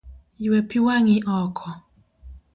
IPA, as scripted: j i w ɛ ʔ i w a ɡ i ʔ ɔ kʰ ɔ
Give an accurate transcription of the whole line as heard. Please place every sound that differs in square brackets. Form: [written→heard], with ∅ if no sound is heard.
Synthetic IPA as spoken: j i w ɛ [ʔ→p] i w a [ɡ→ŋ] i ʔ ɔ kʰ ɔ